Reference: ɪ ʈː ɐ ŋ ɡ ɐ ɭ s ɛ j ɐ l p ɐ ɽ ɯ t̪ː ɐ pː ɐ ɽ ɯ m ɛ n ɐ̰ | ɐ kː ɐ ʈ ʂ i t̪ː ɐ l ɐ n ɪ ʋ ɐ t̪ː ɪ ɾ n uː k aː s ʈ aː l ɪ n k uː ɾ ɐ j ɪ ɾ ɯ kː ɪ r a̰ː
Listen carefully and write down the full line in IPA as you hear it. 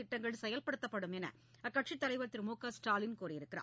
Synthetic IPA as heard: ɪ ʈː ɐ ŋ ɡ ɐ ɭ s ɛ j ɐ l p ɐ ɽ ɯ t̪ː ɐ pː ɐ ɽ ɯ m ɛ n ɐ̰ | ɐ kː ɐ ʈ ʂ i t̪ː ɐ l ɐ ɪ ʋ ɐ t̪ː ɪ ɾ m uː k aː s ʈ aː l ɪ n k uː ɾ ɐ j ɪ ɾ ɯ kː ɪ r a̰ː